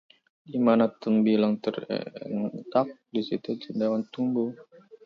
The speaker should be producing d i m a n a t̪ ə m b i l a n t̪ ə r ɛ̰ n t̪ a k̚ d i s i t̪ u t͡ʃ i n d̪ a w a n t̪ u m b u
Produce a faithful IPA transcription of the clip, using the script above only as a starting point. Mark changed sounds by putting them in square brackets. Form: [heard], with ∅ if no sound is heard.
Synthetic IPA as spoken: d i m a n a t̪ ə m b i l a [ŋ] t̪ ə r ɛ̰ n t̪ a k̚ d i s i t̪ u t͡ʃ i n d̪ a w a n t̪ u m b u